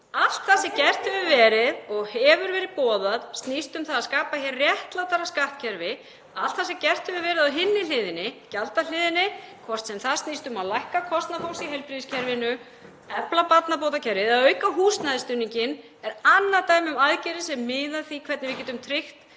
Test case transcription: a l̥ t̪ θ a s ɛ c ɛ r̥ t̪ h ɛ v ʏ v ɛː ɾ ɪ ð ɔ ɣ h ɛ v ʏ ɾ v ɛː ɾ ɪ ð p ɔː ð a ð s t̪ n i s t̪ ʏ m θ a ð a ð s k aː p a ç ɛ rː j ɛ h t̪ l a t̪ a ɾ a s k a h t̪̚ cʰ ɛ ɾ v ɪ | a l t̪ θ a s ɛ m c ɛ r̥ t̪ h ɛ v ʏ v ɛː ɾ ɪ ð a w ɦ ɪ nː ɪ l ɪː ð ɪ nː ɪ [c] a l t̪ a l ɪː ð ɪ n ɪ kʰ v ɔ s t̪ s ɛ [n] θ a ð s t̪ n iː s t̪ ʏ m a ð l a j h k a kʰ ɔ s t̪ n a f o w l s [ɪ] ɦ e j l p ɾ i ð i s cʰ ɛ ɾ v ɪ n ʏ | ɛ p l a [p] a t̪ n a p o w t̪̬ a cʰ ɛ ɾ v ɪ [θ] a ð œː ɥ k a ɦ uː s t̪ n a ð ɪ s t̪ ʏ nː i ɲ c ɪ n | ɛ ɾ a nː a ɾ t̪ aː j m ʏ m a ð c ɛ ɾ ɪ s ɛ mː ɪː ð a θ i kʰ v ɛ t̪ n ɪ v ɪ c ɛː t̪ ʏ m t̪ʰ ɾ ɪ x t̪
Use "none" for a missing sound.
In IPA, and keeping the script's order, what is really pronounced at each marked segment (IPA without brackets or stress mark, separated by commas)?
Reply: c, m, i, p, ð